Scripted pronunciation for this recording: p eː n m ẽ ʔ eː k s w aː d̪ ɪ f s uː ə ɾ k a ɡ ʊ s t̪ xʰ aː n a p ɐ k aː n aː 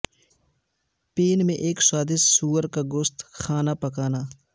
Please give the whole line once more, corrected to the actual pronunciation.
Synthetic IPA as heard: p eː n m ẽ ʔ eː k s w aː d̪ ɪ s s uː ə ɾ k a ɡ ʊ s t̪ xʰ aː n a p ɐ k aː n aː